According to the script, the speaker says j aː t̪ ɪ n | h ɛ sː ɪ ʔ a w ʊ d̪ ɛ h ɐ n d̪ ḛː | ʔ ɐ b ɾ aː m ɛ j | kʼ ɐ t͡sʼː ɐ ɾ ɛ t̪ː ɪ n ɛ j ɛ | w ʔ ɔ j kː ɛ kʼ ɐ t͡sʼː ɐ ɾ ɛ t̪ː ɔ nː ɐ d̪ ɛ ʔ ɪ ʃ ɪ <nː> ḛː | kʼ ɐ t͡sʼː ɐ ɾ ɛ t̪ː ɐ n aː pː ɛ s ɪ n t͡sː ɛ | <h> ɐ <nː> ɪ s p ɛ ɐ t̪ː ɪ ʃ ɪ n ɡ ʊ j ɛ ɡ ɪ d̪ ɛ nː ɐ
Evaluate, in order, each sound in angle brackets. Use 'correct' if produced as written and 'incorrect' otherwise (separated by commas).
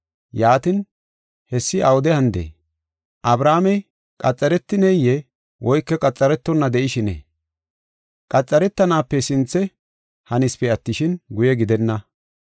incorrect, correct, incorrect